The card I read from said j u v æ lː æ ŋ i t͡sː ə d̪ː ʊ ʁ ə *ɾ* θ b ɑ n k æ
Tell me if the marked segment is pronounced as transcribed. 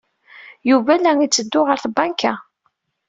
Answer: yes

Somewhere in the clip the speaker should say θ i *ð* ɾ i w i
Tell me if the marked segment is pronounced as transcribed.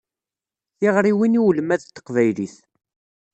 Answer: no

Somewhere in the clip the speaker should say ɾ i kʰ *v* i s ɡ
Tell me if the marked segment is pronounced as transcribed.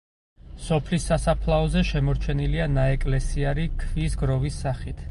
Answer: yes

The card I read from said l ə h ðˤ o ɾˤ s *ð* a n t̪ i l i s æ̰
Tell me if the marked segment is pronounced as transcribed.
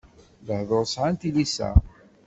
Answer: no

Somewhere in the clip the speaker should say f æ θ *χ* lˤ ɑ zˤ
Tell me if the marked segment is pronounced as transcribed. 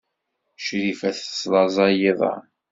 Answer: no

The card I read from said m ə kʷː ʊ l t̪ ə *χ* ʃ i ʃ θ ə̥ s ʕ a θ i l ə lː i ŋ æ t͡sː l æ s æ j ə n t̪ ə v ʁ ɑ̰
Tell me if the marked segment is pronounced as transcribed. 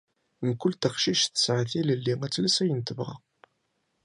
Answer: yes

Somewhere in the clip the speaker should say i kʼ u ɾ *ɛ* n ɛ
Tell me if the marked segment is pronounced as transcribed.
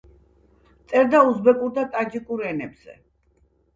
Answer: yes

